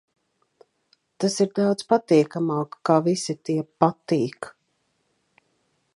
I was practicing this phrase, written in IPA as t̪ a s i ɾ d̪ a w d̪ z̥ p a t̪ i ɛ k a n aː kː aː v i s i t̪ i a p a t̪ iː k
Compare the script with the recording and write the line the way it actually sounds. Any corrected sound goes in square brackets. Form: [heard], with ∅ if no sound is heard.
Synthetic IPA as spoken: t̪ a s i ɾ d̪ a w d̪ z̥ p a t̪ i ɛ k a [m] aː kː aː v i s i t̪ i [ɛ] p a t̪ iː k

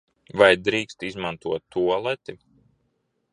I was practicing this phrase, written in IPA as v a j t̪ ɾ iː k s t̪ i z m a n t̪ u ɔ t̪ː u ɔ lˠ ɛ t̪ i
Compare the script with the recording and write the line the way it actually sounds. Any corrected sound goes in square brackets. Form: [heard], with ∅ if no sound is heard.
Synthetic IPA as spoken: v a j [d̪] ɾ iː k s t̪ i z m a n t̪ u ɔ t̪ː u ɔ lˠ ɛ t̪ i

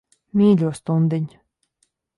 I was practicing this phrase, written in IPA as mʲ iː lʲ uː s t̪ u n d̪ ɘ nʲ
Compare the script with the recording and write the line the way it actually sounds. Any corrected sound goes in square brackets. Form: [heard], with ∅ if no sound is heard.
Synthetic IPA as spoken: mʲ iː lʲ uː s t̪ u n d̪ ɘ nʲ

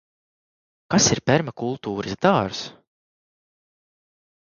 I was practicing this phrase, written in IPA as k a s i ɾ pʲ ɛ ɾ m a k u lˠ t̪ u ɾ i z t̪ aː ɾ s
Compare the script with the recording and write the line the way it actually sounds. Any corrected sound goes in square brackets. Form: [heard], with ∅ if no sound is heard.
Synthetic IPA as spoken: k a s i ɾ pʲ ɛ ɾ m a k u lˠ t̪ [uː] ɾ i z [d̪] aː ɾ s

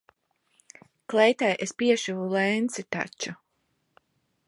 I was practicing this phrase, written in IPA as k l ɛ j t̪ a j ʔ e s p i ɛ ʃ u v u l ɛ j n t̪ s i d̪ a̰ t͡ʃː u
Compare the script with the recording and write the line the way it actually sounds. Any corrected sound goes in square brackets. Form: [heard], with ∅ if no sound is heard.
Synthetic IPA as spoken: k l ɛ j t̪ a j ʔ e s p i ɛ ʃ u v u l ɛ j n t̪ s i [t̪] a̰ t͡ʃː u

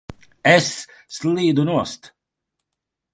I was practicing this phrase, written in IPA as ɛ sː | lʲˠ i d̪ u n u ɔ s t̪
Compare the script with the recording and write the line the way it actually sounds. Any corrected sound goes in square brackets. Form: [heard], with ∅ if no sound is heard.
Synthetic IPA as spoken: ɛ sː | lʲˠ [iː] d̪ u n u ɔ s t̪

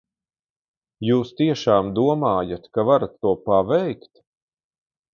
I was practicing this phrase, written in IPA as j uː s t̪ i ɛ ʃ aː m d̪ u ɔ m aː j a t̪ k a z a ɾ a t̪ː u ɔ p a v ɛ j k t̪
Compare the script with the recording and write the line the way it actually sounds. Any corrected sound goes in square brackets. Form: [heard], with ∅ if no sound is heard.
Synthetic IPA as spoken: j uː s t̪ i ɛ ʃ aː m d̪ u ɔ m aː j a t̪ k a [v] a ɾ a t̪ː u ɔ p a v ɛ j k t̪

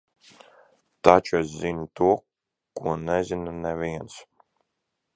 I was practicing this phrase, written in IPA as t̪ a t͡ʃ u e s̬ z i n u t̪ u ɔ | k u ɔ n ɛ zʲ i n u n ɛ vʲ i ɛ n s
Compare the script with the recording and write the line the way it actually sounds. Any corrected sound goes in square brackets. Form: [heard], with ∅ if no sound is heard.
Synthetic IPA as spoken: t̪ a t͡ʃ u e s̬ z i n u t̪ u ɔ | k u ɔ n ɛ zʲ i n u n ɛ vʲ i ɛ n s

